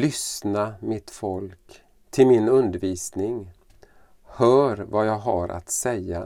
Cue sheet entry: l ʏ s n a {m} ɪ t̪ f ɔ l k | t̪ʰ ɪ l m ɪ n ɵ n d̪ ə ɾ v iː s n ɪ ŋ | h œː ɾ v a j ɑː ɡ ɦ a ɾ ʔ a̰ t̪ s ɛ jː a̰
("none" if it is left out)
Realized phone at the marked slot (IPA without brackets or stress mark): m